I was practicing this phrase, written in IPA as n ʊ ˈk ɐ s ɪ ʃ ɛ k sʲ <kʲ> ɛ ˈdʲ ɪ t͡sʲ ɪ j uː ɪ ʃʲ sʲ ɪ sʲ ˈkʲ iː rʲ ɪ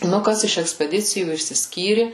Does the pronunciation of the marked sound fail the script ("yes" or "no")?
yes